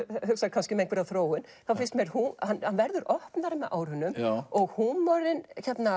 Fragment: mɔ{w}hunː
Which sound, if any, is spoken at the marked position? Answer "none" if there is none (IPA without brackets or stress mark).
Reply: ɣ